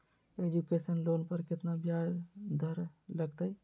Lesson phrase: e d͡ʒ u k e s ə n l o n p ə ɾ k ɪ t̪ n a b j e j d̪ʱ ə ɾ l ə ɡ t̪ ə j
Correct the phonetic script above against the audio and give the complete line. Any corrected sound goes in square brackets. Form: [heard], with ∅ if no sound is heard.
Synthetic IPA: e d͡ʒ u k e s ə n l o n p ə ɾ k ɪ t̪ n a b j [a] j d̪ʱ ə ɾ l ə ɡ t̪ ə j